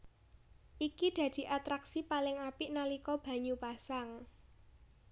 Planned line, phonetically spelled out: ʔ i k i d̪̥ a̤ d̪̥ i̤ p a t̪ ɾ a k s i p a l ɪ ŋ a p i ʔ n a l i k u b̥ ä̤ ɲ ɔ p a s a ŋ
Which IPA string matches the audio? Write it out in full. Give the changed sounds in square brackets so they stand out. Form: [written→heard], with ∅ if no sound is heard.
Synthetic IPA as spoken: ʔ i k i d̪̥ a̤ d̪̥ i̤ [p→ʔ] a t̪ ɾ a k s i p a l ɪ ŋ a p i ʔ n a l i k [u→ɔ] b̥ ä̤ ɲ [ɔ→u] p a s a ŋ